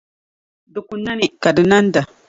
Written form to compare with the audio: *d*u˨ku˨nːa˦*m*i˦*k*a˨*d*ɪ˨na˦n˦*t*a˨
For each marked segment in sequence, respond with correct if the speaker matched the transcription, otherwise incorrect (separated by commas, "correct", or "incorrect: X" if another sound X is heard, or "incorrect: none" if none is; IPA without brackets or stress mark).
correct, incorrect: n, correct, correct, incorrect: d